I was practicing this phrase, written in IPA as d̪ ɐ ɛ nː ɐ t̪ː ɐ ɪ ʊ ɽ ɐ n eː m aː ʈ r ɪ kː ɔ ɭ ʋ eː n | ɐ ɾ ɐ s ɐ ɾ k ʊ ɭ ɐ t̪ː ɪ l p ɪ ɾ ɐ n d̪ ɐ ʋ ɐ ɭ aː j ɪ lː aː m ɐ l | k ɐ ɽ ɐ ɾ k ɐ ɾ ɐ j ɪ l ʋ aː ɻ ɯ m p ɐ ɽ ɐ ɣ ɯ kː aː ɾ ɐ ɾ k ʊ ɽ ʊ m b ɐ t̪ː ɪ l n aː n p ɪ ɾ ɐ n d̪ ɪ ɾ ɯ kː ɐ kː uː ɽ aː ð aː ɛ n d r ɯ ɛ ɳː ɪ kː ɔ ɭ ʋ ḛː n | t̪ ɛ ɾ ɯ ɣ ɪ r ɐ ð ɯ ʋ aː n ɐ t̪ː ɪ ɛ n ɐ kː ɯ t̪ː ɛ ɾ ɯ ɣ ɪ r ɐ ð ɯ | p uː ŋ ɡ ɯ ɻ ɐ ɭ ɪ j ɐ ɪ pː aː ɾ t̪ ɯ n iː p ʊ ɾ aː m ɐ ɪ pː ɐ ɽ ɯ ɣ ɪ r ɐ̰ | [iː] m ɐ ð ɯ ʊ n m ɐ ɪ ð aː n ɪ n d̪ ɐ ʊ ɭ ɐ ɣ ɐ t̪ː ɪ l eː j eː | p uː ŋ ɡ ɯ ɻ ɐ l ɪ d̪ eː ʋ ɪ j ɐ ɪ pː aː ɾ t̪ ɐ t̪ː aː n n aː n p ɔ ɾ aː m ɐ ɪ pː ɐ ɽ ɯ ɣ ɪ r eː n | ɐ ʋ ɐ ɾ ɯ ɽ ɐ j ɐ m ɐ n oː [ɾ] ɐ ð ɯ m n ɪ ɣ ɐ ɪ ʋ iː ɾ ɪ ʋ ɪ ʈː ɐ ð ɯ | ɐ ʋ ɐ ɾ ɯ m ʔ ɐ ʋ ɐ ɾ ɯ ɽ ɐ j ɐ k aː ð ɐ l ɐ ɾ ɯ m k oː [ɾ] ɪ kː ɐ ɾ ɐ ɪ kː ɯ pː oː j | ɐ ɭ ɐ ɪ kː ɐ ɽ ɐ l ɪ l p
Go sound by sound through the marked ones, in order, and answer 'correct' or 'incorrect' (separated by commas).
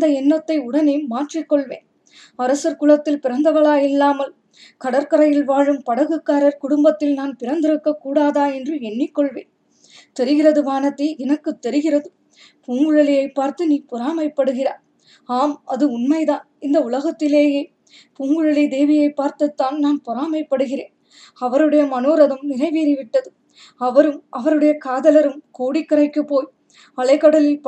incorrect, correct, incorrect